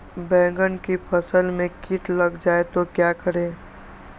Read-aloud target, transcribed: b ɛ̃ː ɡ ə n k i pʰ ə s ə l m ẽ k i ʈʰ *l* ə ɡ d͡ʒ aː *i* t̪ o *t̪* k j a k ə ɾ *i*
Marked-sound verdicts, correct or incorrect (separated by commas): correct, incorrect, incorrect, incorrect